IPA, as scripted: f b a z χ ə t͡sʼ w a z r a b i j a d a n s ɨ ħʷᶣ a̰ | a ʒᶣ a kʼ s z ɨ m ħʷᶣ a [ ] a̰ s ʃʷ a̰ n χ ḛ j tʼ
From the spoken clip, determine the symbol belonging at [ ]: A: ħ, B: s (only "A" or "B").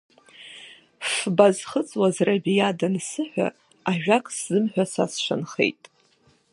B